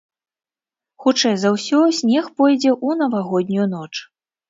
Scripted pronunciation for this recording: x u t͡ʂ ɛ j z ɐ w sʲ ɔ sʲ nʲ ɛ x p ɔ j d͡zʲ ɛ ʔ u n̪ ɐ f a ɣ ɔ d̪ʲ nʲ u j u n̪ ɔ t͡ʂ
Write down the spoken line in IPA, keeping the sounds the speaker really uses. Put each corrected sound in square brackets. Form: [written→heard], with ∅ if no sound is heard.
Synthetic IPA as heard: x u t͡ʂ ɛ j z ɐ w sʲ ɔ sʲ nʲ ɛ x p ɔ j d͡zʲ ɛ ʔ u n̪ ɐ [f→v] a ɣ ɔ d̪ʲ nʲ u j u n̪ ɔ t͡ʂ